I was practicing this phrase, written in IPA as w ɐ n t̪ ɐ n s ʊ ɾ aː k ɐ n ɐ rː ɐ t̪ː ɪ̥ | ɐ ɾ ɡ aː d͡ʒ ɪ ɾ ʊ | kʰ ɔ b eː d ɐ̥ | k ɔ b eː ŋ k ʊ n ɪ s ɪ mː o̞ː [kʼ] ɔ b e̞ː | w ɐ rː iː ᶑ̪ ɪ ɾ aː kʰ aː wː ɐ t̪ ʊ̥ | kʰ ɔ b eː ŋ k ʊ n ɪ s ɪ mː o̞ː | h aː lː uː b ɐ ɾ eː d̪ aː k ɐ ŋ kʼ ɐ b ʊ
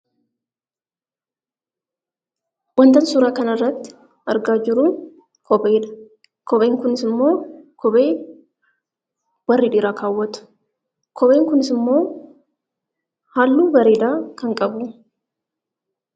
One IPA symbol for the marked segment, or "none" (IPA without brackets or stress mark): k